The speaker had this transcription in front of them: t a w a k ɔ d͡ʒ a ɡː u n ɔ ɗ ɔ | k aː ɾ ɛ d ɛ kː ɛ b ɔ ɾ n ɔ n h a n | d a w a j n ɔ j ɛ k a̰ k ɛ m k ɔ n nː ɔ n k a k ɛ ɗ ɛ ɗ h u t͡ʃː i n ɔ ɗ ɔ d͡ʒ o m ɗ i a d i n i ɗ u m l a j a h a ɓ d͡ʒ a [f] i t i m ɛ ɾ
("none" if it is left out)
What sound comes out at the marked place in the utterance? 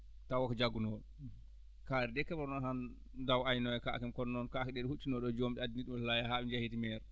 h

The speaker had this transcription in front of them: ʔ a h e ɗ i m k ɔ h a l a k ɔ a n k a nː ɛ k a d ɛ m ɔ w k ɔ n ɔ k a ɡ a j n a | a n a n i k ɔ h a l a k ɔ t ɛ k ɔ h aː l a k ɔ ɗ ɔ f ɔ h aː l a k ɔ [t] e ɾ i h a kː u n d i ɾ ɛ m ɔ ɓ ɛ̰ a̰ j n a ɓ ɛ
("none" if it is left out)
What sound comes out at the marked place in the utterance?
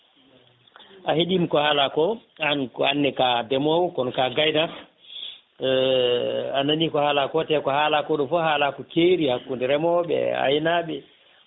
k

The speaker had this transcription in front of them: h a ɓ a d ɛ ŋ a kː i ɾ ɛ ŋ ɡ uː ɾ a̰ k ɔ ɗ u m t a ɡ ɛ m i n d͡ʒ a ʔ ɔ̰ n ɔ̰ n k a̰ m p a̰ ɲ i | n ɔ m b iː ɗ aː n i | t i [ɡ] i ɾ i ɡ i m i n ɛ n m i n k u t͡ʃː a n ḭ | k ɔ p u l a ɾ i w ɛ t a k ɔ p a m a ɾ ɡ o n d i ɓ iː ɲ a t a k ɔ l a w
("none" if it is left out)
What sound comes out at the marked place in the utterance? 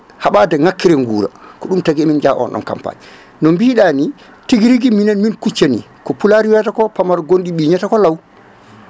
ɡ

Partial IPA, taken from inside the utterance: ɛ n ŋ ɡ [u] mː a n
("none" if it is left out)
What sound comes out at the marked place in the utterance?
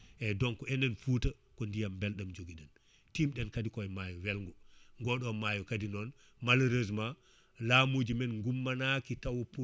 u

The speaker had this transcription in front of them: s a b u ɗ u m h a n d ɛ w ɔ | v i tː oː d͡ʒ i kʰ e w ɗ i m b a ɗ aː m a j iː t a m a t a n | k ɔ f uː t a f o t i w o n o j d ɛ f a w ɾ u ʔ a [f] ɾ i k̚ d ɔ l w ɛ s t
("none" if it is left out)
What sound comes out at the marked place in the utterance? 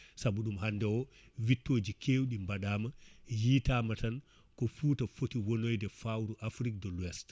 f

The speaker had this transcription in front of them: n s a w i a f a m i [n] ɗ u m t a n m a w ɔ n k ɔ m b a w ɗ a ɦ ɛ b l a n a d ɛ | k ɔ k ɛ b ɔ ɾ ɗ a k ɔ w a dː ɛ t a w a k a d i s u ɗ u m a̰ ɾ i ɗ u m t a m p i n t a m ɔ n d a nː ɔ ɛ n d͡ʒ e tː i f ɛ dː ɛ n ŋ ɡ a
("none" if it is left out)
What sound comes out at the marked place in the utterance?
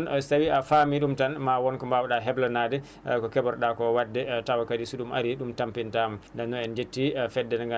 none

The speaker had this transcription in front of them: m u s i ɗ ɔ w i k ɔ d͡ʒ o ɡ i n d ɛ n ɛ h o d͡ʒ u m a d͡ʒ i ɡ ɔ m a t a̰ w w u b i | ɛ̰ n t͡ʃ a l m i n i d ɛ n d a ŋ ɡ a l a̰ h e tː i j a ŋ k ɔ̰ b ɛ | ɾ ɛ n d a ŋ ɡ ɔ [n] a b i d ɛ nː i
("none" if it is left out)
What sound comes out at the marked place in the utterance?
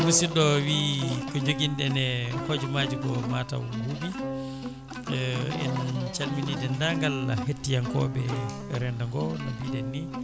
n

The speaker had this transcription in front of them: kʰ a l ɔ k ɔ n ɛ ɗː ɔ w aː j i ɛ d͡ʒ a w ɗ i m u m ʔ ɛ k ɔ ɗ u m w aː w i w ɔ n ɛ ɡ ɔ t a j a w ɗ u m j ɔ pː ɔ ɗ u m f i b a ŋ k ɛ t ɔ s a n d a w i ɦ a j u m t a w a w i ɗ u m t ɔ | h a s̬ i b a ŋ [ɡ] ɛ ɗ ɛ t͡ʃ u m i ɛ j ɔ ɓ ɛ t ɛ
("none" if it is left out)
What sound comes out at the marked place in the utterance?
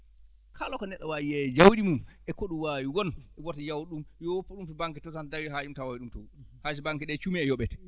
k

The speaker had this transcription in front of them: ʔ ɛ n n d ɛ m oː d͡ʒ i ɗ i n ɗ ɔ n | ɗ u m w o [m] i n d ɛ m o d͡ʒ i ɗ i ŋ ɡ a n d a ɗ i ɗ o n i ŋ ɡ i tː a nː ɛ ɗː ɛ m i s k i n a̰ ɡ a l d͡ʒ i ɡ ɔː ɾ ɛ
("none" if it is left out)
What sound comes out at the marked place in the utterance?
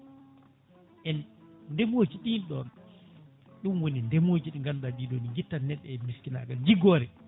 n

